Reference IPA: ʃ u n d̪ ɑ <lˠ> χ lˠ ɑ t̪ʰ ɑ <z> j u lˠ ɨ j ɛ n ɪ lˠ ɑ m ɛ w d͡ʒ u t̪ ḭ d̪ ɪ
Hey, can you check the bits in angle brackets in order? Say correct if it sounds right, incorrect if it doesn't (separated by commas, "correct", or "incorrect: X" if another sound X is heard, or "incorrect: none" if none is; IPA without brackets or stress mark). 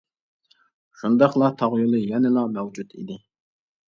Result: incorrect: none, incorrect: ʁ